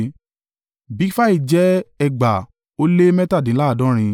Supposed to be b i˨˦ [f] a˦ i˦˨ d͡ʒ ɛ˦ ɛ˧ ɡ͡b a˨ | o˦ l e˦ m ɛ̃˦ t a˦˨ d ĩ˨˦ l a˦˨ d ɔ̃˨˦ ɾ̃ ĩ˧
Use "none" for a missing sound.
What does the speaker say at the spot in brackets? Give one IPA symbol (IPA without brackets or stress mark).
f